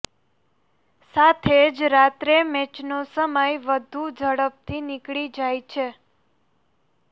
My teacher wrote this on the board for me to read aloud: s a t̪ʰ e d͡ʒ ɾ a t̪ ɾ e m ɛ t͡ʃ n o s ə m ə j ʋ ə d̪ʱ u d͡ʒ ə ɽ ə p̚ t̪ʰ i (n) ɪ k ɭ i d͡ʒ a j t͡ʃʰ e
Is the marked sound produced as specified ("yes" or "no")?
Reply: yes